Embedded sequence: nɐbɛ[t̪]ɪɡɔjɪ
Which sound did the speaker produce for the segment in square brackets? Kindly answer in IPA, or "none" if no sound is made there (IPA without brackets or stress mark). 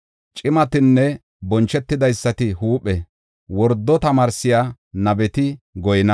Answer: t̪